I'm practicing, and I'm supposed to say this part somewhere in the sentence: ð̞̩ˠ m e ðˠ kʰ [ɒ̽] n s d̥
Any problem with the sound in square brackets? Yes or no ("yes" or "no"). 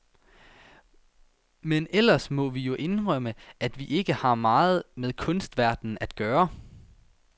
yes